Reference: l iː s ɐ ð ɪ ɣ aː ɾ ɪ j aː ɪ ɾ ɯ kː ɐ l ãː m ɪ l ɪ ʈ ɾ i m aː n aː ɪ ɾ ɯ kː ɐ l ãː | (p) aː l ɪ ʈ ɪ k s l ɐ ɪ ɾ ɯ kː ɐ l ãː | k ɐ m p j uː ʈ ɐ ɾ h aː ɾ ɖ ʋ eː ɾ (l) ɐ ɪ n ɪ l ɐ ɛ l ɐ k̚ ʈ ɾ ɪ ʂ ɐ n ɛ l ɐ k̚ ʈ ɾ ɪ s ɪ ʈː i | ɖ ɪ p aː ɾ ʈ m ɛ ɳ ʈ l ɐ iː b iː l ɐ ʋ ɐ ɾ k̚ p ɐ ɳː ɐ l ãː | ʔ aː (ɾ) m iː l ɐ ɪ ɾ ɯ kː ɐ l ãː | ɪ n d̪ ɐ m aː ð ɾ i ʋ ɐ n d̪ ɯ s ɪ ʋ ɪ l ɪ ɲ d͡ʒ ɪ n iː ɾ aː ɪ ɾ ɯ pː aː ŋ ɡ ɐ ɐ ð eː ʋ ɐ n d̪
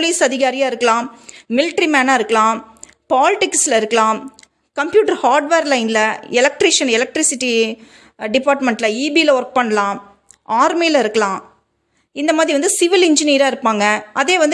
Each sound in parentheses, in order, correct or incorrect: correct, correct, correct

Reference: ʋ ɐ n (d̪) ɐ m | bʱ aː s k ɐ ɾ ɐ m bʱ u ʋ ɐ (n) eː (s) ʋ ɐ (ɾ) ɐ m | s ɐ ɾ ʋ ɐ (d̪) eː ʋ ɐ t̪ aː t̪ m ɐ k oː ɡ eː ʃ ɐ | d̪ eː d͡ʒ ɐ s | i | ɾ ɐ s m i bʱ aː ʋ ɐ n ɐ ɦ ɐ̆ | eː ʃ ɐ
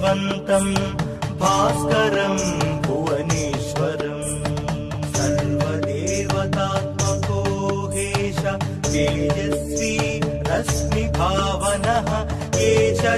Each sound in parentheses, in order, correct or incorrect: incorrect: t̪, correct, incorrect: ʃ, correct, correct

